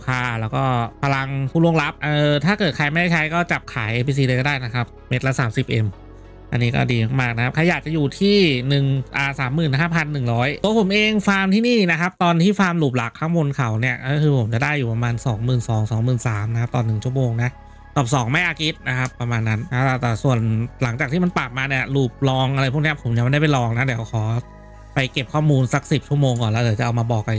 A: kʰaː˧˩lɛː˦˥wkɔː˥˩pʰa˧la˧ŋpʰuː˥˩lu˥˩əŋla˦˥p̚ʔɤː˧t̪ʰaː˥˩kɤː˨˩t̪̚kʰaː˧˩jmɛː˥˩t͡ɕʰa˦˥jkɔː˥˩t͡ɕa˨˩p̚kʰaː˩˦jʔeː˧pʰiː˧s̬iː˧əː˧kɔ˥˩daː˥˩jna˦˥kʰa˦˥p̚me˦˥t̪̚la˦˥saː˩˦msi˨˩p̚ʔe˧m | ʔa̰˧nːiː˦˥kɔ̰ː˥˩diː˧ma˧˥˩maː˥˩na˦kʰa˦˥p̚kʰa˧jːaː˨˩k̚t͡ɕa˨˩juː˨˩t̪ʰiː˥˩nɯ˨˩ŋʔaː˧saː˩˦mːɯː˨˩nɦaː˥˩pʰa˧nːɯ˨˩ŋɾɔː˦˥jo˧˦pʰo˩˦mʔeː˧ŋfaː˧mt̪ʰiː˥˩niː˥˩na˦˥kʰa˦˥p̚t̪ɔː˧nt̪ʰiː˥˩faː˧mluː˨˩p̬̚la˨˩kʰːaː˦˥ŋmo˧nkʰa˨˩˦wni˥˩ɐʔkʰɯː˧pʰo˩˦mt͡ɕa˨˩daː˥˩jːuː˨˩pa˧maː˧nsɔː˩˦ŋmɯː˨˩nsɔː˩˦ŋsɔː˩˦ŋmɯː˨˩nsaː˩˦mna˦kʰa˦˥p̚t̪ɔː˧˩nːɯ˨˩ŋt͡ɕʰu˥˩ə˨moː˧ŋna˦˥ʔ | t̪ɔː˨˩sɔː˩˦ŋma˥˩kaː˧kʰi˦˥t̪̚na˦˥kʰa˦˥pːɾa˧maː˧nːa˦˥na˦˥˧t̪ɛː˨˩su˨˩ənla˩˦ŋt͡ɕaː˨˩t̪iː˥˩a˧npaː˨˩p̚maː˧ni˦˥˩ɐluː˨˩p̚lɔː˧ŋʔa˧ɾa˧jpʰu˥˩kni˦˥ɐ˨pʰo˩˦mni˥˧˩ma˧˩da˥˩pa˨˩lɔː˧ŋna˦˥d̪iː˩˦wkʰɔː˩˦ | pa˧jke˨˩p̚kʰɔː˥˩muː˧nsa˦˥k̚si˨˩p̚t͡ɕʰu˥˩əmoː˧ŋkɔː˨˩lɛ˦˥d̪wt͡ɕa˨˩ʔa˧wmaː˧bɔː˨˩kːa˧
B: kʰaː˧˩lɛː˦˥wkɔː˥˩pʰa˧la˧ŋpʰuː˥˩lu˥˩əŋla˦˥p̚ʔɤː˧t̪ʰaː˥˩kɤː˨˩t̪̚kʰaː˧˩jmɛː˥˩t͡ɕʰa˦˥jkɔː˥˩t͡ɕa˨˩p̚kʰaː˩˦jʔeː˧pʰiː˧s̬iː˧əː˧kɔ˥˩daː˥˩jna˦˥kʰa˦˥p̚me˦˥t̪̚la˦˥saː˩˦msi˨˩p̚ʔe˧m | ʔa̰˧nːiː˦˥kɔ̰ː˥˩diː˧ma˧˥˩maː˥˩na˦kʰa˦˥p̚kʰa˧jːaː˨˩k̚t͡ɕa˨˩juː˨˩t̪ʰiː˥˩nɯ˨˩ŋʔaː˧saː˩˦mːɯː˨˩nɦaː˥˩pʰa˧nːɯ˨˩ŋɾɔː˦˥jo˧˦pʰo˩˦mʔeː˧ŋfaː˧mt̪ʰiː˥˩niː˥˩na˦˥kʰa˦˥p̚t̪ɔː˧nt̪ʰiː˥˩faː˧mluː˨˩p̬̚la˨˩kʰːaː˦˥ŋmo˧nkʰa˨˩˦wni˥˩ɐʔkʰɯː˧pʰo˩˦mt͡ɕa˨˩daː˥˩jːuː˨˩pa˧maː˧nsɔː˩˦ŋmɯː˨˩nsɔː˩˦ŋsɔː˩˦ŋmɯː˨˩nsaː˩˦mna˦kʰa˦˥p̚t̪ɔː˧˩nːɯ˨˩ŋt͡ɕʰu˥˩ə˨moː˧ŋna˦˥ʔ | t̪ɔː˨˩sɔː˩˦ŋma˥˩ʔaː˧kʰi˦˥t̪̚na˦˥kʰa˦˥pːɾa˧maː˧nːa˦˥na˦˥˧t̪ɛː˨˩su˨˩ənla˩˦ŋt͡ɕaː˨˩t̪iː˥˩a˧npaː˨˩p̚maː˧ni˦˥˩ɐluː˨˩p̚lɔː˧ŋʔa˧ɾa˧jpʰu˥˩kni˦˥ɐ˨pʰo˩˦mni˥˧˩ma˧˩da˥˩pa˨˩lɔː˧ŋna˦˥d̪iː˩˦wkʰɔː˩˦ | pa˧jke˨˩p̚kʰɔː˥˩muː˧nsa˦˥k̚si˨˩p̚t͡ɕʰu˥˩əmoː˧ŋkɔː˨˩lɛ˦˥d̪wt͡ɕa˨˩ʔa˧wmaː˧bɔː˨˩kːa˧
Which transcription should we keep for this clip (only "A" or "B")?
B